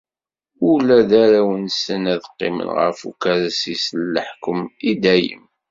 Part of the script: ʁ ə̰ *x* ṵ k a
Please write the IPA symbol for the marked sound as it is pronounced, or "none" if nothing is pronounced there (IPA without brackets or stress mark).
f